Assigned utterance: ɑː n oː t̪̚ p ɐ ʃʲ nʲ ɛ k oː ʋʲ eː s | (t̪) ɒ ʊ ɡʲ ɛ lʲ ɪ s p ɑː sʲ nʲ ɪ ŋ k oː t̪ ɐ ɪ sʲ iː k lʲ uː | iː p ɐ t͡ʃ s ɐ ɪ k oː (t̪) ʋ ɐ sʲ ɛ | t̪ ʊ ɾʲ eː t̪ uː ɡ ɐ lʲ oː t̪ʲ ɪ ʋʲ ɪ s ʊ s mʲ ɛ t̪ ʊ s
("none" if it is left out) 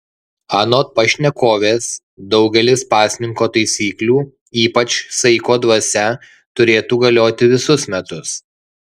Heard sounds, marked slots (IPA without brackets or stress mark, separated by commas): d̪, d̪